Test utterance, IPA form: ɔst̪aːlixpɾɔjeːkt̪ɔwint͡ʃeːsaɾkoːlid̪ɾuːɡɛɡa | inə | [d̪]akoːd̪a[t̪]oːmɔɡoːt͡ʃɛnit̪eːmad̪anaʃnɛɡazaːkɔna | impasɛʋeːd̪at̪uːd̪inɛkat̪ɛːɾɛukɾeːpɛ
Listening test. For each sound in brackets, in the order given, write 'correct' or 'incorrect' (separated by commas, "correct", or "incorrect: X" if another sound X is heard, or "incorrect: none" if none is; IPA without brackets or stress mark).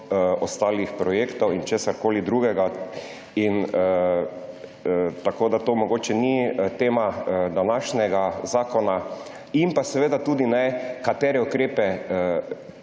incorrect: t̪, correct